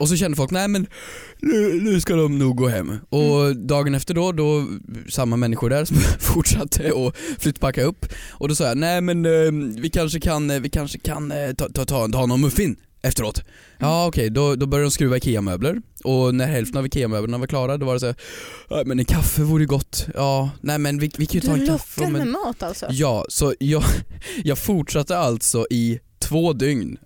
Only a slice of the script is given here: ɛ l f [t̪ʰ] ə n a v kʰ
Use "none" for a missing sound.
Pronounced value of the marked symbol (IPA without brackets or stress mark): t̪